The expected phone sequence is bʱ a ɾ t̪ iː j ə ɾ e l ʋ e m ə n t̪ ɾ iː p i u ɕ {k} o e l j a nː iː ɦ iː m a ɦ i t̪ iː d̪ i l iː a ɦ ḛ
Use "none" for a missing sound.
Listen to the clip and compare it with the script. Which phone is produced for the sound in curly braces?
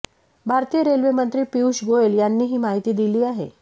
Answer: ɡ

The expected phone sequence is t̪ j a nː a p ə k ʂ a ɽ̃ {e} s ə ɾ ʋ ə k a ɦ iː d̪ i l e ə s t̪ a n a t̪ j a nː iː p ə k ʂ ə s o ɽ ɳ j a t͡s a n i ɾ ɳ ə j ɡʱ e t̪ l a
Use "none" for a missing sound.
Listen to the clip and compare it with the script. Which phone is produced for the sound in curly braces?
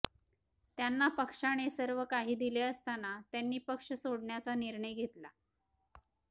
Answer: e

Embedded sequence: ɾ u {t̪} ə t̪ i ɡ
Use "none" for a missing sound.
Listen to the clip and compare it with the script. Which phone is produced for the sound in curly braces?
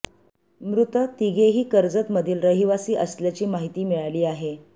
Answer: t̪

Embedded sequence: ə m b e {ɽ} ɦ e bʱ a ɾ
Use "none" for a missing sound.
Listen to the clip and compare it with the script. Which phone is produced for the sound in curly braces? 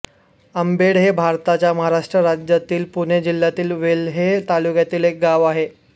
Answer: ɽ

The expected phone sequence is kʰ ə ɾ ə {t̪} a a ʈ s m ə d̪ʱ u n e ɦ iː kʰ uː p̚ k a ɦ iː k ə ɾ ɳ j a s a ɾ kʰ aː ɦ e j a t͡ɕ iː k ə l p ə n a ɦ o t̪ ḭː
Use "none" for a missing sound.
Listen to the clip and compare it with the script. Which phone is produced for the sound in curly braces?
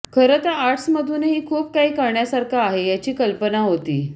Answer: t̪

